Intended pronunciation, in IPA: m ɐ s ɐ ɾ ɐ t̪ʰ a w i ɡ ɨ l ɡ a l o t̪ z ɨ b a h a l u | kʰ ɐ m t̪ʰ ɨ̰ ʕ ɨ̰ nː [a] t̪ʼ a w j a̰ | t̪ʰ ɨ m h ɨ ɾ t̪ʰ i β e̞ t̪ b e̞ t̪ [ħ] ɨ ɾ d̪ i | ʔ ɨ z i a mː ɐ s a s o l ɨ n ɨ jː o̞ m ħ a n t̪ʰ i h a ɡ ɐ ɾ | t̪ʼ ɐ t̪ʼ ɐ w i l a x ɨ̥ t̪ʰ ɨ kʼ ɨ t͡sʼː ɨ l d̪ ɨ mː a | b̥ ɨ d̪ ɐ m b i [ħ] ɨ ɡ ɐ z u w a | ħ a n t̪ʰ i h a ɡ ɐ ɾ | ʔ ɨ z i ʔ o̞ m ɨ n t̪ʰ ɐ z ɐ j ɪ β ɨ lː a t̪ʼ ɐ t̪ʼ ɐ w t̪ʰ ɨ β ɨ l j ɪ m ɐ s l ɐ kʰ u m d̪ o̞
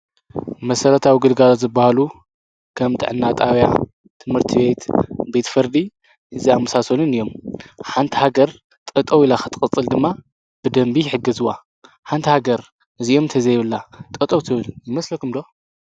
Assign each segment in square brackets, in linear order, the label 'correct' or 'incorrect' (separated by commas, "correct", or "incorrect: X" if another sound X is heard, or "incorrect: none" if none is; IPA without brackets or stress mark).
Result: correct, incorrect: f, correct